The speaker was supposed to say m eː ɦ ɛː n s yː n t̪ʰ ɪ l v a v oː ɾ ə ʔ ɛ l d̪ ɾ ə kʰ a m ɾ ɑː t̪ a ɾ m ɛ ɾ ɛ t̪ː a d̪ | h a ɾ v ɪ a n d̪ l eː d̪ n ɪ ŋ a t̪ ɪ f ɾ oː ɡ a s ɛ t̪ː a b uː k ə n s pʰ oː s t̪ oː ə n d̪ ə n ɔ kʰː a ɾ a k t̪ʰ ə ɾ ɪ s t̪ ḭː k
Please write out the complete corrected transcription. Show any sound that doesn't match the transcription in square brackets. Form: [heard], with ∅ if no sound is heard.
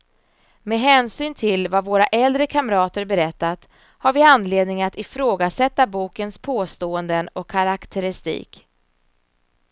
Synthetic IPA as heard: m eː ɦ ɛː n s yː n t̪ʰ ɪ l v a v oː ɾ [a] ʔ ɛ l d̪ ɾ ə kʰ a m ɾ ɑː t̪ [ə] ɾ [b] ɛ ɾ ɛ t̪ː a [t̪] | h a ɾ v ɪ a n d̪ l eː d̪ n ɪ ŋ a t̪ ɪ f ɾ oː ɡ a s ɛ t̪ː a b uː k ə n s pʰ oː s t̪ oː ə n d̪ ə n ɔ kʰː a ɾ a k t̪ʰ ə ɾ ɪ s t̪ ḭː k